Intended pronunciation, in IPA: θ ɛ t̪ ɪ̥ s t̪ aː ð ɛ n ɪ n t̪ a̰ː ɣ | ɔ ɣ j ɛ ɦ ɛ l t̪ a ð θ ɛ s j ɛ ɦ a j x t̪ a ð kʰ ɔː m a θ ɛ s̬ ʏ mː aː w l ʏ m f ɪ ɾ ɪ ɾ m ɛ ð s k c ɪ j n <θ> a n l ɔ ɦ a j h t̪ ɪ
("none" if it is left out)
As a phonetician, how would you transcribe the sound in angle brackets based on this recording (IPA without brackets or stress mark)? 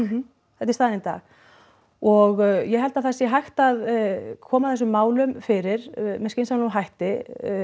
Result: s